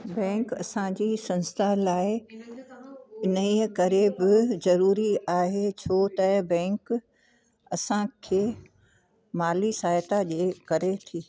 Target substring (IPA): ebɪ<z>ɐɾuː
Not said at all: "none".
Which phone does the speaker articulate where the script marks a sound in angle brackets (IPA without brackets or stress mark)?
z